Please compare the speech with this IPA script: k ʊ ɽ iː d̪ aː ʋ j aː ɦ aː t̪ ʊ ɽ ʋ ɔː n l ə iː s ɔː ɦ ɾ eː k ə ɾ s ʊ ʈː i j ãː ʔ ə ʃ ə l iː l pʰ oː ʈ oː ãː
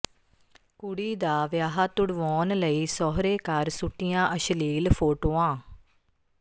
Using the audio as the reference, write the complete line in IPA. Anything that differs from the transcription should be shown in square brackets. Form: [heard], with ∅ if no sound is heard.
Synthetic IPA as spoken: k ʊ ɽ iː d̪ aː ʋ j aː ɦ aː t̪ ʊ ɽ ʋ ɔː n l ə iː s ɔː ɦ ɾ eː k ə ɾ s ʊ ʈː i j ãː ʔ ə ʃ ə l iː l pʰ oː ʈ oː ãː